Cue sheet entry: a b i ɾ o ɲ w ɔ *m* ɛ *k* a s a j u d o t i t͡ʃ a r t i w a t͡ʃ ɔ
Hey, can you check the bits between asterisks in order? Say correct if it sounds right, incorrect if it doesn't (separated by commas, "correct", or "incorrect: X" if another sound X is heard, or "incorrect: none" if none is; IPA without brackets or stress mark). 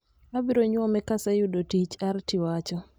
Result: correct, correct